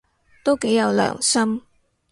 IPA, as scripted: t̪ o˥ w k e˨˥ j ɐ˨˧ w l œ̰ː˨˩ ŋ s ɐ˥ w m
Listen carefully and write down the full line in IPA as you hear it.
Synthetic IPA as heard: t̪ o˥ w k e˨˥ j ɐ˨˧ w l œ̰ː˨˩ ŋ s ɐ˥ m